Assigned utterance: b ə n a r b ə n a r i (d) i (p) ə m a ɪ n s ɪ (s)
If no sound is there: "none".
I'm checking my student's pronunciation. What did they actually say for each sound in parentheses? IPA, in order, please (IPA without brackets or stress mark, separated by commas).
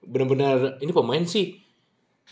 n, p, h